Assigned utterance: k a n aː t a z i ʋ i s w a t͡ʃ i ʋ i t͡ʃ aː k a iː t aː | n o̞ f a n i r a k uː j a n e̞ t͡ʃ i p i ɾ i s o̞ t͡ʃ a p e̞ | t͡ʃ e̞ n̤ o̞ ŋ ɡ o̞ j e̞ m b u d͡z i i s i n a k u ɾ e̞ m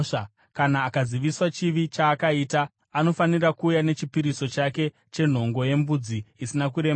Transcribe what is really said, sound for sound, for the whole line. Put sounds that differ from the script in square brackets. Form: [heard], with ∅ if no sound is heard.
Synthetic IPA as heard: k a n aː [k] a z i ʋ i s w a t͡ʃ i ʋ i t͡ʃ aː k a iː t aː | n o̞ f a n i r a k uː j a n e̞ t͡ʃ i p i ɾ i s o̞ t͡ʃ a [k] e̞ | t͡ʃ e̞ n̤ o̞ ŋ ɡ o̞ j e̞ m b u d͡z i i s i n a k u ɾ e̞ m